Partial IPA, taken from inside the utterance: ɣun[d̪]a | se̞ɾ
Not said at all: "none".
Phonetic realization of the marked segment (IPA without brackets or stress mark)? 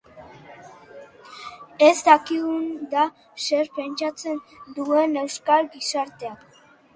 d̪